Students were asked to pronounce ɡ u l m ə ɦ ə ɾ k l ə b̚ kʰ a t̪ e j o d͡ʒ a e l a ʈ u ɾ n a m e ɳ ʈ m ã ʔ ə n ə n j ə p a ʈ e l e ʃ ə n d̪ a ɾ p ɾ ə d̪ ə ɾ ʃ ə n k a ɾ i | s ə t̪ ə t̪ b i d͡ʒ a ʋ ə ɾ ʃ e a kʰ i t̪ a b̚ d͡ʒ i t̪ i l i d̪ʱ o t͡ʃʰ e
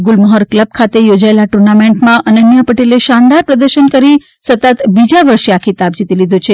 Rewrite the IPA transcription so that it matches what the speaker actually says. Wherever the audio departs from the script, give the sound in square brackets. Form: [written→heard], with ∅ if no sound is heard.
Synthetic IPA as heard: ɡ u l m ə ɦ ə ɾ k l ə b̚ kʰ a t̪ e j o d͡ʒ a e l a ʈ u ɾ n a m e ɳ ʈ m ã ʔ ə n ə n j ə p [a→ə] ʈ e l e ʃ [ə→a] n d̪ a ɾ p ɾ ə d̪ ə ɾ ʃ ə n k [a→ə] ɾ i | s ə t̪ ə t̪ b i d͡ʒ a ʋ ə ɾ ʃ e a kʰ i t̪ a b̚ d͡ʒ i t̪ i l i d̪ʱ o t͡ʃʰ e